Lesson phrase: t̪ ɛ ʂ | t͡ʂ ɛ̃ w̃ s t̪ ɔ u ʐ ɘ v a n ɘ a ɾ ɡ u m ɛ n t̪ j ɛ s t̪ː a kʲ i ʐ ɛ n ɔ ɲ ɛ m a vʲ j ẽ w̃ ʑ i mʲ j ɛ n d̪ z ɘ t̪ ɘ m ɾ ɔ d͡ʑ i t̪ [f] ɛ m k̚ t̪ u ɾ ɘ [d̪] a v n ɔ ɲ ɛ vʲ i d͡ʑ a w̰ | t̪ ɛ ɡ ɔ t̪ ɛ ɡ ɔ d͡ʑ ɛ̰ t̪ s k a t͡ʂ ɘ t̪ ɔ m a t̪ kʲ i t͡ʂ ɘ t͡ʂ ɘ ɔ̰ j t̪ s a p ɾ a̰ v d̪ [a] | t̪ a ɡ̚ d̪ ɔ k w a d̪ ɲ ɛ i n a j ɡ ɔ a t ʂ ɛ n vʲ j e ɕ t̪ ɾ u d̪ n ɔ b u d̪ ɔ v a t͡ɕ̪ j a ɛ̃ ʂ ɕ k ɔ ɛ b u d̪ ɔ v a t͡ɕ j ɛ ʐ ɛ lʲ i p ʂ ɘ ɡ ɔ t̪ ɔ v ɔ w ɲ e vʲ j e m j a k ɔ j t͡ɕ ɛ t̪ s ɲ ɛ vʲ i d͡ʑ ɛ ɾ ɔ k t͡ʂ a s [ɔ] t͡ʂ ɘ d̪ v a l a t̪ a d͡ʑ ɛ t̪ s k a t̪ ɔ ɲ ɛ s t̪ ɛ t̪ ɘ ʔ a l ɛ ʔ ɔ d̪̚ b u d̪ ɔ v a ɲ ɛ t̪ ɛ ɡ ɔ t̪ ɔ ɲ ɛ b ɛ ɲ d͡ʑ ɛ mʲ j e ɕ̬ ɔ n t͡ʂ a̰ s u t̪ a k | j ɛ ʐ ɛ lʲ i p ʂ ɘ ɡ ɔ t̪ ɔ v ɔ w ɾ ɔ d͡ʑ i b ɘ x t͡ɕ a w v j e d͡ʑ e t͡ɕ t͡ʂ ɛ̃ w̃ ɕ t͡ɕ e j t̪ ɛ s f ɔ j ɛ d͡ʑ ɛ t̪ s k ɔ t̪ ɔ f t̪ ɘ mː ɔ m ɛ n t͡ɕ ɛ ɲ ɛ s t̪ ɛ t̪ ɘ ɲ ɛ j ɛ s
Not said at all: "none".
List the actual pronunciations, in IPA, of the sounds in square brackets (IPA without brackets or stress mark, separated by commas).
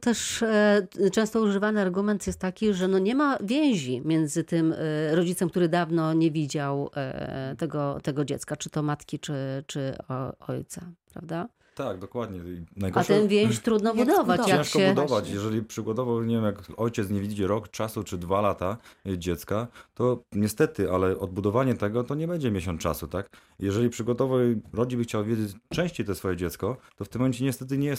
s, d̪, a, u